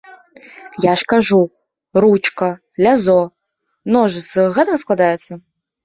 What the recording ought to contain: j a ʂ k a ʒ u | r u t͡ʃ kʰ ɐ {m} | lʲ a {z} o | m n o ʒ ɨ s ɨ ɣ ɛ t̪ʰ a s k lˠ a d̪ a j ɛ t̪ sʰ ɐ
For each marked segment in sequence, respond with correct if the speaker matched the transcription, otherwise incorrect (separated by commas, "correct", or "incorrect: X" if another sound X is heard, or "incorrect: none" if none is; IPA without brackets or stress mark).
incorrect: none, correct